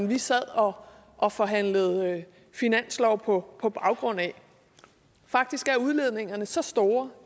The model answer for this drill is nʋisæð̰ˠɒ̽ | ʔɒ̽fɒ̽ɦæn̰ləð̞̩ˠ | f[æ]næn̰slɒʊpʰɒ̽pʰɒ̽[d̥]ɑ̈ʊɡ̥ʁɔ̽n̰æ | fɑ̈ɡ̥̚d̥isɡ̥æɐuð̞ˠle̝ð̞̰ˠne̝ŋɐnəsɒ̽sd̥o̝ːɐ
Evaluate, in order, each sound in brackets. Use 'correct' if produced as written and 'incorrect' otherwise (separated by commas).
incorrect, incorrect